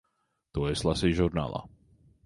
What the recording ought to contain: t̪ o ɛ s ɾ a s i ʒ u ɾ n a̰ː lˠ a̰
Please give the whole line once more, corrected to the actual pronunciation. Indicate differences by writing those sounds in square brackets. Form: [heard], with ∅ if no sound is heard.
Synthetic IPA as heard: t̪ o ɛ s [l] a s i ʒ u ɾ n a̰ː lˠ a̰